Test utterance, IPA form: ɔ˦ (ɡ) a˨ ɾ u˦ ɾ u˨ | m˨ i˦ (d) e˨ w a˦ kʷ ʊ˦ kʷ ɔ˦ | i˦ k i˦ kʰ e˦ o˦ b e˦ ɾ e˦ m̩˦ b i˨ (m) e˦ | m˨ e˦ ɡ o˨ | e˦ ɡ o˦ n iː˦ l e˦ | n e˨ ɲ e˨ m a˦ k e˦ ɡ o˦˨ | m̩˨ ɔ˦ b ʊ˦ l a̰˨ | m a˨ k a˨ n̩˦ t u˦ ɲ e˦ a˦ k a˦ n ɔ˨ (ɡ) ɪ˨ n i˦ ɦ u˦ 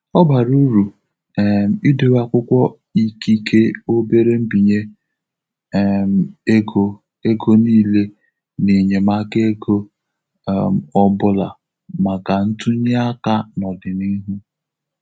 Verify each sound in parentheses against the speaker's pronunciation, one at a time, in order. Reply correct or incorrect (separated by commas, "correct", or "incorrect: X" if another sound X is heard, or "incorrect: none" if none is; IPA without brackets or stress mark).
incorrect: b, correct, incorrect: ɲ, incorrect: d